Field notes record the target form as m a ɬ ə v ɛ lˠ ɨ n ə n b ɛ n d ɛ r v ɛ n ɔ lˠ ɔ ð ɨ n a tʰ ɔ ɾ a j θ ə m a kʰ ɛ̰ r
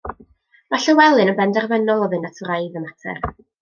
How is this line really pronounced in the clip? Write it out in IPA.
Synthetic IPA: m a ɬ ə w ɛ lˠ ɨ n ə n b ɛ n d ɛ r v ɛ n ɔ lˠ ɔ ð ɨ n a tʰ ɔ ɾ a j ð ə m a tʰ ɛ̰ r